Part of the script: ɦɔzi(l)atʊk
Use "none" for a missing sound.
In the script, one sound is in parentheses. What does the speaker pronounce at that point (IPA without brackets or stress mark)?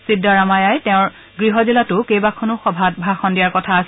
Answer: l